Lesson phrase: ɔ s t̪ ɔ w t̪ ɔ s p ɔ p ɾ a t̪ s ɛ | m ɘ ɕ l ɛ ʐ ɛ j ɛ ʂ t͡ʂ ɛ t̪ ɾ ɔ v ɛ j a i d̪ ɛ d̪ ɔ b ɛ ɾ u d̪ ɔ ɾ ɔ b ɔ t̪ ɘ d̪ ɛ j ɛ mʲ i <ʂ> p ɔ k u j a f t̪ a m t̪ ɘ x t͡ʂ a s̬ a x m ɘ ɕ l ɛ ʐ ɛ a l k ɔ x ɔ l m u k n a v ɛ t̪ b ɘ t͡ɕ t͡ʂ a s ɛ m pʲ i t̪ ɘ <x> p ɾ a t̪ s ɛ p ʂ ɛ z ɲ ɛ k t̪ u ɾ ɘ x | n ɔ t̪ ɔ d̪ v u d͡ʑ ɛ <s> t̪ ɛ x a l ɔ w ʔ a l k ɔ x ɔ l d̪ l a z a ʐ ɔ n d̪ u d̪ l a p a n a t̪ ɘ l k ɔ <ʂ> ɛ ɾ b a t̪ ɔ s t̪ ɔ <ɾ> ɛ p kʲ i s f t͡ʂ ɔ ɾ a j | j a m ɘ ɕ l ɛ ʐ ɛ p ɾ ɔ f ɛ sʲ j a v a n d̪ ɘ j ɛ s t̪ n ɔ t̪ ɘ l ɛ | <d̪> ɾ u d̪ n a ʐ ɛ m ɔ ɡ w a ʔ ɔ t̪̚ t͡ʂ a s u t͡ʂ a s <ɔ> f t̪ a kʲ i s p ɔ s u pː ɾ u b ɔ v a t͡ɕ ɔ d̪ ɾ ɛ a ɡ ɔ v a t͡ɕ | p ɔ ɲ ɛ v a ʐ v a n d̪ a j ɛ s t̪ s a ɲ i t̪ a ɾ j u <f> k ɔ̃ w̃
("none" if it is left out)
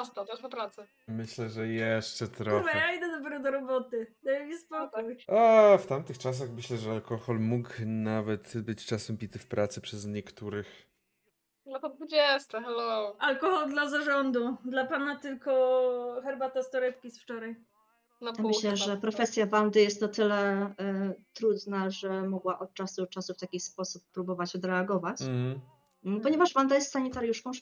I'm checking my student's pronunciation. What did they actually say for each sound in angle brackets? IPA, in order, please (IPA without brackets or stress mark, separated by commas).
s, f, s, x, ɾ, t̪, u, ʂ